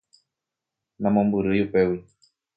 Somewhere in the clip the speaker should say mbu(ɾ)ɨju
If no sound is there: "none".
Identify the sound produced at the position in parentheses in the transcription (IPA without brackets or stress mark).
ɾ